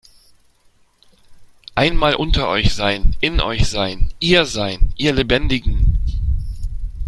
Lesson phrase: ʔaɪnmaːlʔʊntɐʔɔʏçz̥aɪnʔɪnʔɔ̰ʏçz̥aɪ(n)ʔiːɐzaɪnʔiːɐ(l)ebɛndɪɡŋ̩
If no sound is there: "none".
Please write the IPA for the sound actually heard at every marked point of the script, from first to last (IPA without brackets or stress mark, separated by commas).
n, l